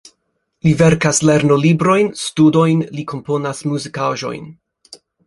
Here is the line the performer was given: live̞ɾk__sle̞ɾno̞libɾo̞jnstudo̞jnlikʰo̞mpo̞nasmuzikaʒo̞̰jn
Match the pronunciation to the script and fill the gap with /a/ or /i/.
a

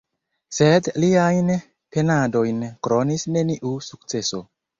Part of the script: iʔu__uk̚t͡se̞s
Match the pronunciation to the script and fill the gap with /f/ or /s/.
s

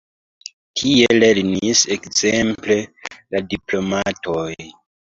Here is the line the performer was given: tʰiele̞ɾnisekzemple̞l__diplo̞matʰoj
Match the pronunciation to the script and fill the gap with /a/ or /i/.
a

